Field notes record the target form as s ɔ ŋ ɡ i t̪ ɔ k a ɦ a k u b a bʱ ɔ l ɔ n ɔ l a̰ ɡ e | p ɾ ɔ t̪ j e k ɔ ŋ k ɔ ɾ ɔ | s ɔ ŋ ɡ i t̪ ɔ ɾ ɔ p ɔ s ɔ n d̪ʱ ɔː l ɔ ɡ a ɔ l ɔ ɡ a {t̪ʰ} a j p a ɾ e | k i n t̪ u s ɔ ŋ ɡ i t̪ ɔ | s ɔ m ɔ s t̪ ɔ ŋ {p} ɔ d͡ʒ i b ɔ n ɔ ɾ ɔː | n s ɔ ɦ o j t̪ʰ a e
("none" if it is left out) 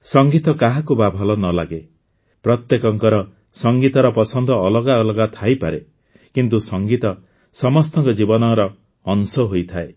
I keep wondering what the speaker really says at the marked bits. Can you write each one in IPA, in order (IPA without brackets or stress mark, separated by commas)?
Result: t̪ʰ, k